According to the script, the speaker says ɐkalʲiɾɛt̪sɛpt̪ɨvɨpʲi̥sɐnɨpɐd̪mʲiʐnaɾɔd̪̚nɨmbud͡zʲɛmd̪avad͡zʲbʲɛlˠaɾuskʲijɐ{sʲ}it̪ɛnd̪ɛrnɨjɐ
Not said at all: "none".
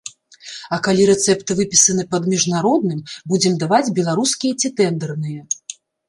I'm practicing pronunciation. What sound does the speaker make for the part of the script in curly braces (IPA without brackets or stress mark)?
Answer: t͡sʲ